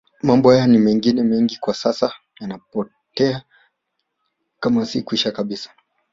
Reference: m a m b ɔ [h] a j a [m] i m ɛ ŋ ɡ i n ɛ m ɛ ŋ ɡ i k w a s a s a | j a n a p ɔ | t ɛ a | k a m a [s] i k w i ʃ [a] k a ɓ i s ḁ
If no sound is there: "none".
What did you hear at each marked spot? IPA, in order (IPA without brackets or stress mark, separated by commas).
h, n, s, a